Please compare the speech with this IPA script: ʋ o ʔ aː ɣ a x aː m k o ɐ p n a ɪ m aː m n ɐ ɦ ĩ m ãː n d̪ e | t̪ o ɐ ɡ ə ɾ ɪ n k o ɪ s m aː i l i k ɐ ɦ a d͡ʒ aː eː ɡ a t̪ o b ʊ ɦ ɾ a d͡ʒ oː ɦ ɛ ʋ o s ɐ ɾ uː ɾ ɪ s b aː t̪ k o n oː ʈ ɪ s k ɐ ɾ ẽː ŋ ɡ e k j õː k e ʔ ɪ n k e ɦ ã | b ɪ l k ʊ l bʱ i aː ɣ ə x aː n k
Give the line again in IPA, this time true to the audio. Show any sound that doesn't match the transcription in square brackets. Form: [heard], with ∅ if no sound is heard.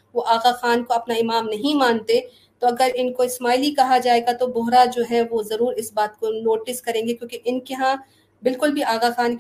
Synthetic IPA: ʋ o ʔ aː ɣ a x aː [n] k o ɐ p n a ɪ m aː m n ɐ ɦ ĩ m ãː n [t̪] e | t̪ o ɐ ɡ ə ɾ ɪ n k o ɪ s m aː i l i k ɐ ɦ a d͡ʒ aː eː ɡ a t̪ o b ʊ ɦ ɾ a d͡ʒ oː ɦ ɛ ʋ o [z] ɐ ɾ uː ɾ ɪ s b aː t̪ k o n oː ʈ ɪ s k ɐ ɾ ẽː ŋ ɡ e k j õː k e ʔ ɪ n k e ɦ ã | b ɪ l k ʊ l bʱ i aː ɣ [a] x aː n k